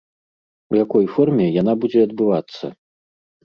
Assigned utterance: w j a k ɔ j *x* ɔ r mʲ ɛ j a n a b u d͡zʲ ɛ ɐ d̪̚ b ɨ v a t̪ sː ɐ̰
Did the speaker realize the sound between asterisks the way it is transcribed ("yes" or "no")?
no